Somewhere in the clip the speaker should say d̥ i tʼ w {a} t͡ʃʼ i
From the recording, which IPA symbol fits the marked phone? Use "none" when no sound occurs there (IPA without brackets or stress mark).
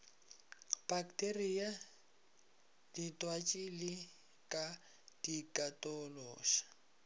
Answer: a